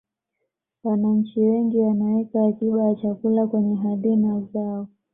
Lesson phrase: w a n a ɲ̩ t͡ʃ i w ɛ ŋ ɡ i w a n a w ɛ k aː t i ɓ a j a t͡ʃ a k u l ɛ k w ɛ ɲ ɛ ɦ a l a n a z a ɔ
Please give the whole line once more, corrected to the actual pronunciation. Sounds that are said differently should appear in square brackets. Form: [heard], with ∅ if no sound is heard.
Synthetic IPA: w a n a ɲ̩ t͡ʃ i w ɛ ŋ ɡ i w a n a w ɛ k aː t i ɓ a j a t͡ʃ a k u l [a] k w ɛ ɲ ɛ ɦ a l [i] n a z a ɔ